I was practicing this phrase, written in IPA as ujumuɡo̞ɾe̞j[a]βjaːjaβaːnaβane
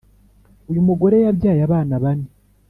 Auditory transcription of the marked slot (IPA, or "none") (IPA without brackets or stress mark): a